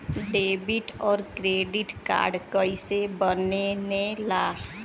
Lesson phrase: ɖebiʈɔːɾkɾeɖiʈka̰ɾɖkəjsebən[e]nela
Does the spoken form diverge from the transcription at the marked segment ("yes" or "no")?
no